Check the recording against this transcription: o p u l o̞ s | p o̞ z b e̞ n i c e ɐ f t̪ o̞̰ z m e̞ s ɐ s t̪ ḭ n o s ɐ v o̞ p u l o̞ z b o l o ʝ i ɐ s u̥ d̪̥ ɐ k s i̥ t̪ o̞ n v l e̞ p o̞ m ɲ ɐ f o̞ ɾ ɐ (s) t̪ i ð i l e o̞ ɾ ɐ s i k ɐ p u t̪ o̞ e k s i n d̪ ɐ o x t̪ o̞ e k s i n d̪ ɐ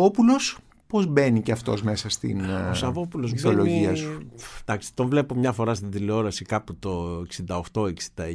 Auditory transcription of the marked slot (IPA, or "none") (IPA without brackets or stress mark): s